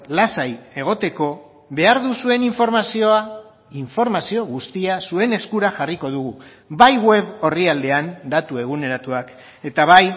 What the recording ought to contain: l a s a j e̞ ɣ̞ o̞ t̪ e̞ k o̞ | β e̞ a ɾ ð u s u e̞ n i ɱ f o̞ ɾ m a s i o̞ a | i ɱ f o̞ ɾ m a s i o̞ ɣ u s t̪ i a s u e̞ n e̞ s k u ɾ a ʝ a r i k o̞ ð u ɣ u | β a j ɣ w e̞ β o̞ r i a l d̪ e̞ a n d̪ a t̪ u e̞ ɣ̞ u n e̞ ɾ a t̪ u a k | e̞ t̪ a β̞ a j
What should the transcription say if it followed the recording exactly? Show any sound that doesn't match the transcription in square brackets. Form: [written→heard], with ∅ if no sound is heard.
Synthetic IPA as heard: l a s a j e̞ ɣ̞ o̞ t̪ e̞ k o̞ | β e̞ a ɾ ð u s u e̞ n i ɱ f o̞ ɾ m a s i o̞ a | i ɱ f o̞ ɾ m a s i o̞ ɣ u s t̪ i a s u e̞ n e̞ s k u ɾ a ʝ a r i k o̞ ð u ɣ u | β a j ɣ w e̞ β o̞ r i a l d̪ e̞ a n d̪ a t̪ u e̞ ɣ̞ u n e̞ ɾ a t̪ u a k | e̞ t̪ a β̞ a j